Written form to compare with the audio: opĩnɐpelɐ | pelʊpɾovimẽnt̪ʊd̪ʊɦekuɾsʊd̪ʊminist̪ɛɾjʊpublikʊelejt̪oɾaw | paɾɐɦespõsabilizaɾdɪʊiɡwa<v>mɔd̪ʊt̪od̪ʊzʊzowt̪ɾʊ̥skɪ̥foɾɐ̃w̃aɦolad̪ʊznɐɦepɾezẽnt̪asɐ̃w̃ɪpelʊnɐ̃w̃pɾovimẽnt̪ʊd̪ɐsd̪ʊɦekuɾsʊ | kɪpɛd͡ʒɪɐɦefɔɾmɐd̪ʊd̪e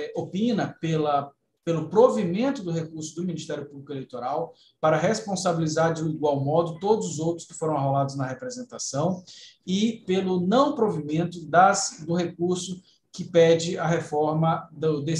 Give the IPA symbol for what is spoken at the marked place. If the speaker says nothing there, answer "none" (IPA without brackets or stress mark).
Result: w